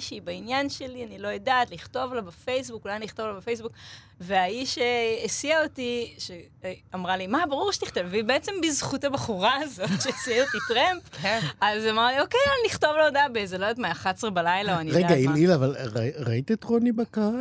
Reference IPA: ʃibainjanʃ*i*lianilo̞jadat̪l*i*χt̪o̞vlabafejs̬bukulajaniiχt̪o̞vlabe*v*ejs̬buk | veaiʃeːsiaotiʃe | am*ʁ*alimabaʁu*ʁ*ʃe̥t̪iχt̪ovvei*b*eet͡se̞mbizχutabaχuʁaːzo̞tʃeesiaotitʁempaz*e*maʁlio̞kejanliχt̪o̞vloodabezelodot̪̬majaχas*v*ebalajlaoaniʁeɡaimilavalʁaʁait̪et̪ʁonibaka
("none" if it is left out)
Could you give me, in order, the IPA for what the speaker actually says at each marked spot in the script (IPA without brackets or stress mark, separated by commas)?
e, i, f, ʁ, ʁ, b, a, ʁ